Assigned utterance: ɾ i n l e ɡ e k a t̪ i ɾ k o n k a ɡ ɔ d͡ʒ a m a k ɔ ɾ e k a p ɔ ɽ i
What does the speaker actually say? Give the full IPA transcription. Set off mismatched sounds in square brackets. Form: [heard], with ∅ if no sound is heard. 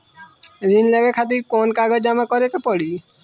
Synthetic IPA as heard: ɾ i n l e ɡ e [kʰ] a t̪ i ɾ k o n k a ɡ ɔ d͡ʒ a m a k ɔ ɾ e k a p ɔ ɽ i